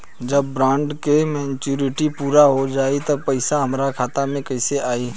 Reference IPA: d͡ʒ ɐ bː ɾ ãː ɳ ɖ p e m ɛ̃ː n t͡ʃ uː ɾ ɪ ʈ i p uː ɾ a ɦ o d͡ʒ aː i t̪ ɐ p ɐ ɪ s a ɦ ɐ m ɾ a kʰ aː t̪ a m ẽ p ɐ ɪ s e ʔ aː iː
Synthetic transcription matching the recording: d͡ʒ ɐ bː ɾ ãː ɳ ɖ k e m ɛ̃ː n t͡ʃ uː ɾ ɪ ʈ i p uː ɾ a ɦ o d͡ʒ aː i t̪ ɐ p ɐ ɪ s a ɦ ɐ m ɾ a kʰ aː t̪ a m ẽ k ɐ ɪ s e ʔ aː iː